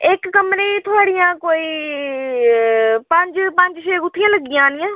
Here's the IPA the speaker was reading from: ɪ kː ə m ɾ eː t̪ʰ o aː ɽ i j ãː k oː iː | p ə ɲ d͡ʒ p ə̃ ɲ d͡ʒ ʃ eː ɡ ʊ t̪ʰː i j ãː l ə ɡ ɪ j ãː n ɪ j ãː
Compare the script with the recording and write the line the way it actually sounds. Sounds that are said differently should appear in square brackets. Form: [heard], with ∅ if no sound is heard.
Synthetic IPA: ɪ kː ə m ɾ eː t̪ʰ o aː ɽ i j ãː k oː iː | p ə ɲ d͡ʒ p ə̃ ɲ d͡ʒ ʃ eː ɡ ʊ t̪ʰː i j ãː l ə ɡ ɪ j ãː n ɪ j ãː